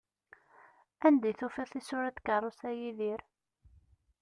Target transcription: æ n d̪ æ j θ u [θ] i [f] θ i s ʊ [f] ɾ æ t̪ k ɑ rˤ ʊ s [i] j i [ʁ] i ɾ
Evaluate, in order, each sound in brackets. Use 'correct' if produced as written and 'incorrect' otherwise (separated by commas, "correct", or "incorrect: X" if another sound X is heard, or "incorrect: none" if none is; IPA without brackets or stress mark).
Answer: incorrect: f, incorrect: none, incorrect: none, incorrect: æ, incorrect: ð